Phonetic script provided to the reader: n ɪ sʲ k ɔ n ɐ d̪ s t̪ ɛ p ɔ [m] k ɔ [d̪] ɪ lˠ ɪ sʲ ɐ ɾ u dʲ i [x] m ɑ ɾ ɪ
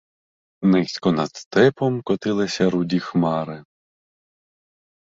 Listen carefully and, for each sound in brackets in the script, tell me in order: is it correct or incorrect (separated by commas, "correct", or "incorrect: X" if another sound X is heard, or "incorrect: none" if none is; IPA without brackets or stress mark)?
correct, incorrect: t̪, correct